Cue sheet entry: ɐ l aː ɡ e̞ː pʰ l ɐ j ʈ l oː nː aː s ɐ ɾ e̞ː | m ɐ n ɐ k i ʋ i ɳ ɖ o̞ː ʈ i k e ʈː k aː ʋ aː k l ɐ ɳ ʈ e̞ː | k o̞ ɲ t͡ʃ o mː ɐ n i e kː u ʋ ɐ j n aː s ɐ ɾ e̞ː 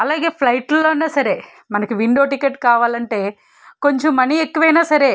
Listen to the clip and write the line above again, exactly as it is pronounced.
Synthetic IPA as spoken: ɐ l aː ɡ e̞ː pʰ l ɐ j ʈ l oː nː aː s ɐ ɾ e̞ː | m ɐ n ɐ k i ʋ i ɳ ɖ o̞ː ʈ i k e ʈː k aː ʋ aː l ɐ ɳ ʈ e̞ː | k o̞ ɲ t͡ʃ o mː ɐ n i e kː u ʋ ɐ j n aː s ɐ ɾ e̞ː